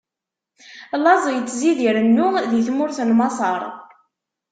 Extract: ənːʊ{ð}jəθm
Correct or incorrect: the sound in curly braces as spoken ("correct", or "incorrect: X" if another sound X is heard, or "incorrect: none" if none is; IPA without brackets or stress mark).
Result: correct